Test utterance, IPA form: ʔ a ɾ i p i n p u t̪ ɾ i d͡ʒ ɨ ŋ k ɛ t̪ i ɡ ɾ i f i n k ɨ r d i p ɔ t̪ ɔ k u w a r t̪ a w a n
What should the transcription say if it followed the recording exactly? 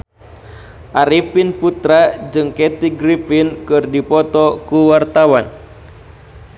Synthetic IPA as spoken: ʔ a ɾ i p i n p u t̪ ɾ a d͡ʒ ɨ ŋ k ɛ t̪ i ɡ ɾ i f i n k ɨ r d i p ɔ t̪ ɔ k u w a r t̪ a w a n